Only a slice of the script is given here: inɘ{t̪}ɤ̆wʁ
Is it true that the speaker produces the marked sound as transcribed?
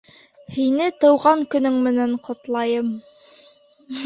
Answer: yes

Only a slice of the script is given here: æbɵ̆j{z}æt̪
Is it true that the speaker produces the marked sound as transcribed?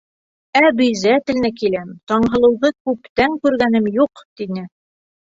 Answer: yes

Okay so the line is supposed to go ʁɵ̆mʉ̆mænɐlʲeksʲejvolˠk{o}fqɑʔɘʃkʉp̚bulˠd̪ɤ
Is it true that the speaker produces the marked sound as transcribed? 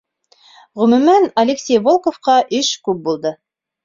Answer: yes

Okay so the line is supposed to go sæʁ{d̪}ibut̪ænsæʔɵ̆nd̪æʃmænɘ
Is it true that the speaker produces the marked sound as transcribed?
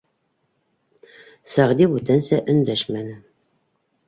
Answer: yes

